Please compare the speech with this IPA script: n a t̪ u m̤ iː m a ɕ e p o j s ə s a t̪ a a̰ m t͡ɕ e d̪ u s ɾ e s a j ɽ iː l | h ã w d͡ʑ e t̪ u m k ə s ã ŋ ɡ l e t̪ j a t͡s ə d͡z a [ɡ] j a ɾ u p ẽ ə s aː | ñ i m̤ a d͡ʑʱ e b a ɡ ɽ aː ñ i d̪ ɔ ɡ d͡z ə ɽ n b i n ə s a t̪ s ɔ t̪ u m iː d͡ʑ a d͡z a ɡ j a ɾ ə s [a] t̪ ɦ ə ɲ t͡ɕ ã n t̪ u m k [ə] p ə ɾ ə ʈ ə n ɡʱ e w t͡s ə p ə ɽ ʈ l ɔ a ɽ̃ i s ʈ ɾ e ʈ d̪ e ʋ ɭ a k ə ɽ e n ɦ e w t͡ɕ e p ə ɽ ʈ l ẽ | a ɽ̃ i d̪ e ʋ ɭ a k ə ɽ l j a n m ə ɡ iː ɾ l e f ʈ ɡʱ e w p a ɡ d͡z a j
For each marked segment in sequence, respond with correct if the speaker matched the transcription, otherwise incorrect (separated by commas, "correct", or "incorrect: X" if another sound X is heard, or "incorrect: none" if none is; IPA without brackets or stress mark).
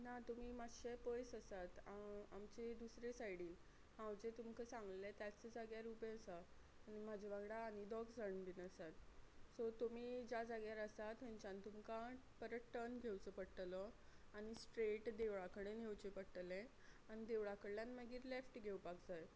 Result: correct, correct, incorrect: a